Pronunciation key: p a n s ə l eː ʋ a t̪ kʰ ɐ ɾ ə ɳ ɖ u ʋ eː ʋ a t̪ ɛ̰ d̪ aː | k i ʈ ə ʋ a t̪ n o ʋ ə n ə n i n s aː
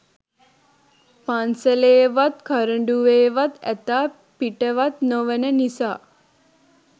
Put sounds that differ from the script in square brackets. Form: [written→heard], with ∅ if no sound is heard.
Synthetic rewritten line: p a n s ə l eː ʋ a t̪ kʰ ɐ ɾ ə ɳ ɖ u ʋ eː ʋ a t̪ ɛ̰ [d̪→t̪] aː | [k→p] i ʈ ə ʋ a t̪ n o ʋ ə n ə n i [n→∅] s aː

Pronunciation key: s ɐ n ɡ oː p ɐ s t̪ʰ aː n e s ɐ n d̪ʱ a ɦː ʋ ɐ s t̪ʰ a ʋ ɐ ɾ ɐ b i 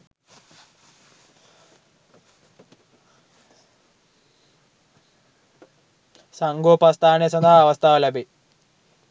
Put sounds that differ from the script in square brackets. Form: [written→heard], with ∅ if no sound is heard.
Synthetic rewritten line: s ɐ [n→ŋ] ɡ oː p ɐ s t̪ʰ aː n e s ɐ n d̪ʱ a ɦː ʋ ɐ s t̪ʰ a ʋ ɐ [ɾ→l] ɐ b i

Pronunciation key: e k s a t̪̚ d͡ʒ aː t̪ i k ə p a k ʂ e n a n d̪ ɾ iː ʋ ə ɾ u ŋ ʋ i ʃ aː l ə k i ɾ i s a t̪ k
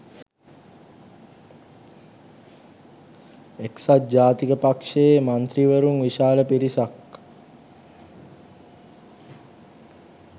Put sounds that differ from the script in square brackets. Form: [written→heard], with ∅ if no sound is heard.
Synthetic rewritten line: e k s a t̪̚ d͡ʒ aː t̪ i k ə p a k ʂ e [n→m] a n [d̪→t̪] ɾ [iː→i] ʋ ə ɾ u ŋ ʋ i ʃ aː l ə [k→p] i ɾ i s a [t̪→∅] k

